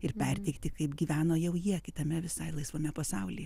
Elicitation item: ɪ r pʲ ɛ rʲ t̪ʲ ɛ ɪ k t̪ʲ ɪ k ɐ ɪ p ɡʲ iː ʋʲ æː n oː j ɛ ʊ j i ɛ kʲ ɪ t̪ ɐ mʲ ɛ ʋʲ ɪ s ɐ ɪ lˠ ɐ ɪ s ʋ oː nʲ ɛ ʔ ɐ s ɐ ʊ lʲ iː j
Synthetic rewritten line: ɪ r pʲ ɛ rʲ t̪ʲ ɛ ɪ k t̪ʲ ɪ k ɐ ɪ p ɡʲ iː ʋʲ æː n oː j ɛ ʊ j i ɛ kʲ ɪ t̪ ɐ mʲ ɛ ʋʲ ɪ s ɐ ɪ lˠ ɐ ɪ s ʋ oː mʲ ɛ p ɐ s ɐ ʊ lʲ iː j